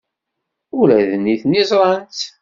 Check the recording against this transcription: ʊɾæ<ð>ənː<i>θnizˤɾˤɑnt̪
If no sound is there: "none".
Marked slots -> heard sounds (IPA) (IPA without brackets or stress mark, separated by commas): ð, i